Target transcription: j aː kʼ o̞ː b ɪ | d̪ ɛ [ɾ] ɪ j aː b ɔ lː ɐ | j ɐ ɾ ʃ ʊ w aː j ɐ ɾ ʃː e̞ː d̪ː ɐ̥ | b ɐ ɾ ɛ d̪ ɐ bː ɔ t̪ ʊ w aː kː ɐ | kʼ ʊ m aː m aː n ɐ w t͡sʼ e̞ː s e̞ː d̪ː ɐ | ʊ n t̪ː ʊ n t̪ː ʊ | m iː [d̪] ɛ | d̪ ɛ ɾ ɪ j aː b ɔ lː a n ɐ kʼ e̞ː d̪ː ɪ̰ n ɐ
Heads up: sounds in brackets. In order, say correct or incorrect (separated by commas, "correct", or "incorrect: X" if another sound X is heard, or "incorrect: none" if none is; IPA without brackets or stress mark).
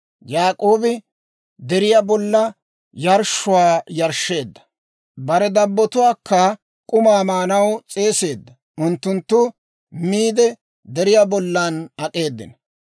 correct, correct